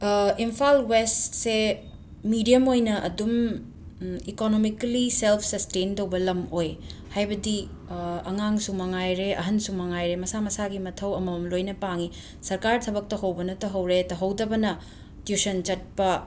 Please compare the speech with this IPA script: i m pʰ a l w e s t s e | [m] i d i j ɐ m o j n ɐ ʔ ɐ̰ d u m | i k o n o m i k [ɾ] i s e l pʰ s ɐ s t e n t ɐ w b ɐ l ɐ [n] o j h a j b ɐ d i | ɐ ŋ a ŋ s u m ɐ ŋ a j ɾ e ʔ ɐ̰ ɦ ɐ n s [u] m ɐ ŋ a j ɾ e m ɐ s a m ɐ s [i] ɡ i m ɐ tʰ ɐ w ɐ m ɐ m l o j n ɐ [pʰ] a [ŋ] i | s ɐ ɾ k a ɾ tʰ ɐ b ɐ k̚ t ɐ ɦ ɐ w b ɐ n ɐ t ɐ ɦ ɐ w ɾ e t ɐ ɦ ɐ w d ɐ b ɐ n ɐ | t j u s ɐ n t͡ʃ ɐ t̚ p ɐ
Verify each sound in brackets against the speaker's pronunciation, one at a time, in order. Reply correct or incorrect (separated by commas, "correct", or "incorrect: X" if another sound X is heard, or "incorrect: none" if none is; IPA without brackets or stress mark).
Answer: correct, incorrect: l, incorrect: m, correct, incorrect: a, incorrect: p, correct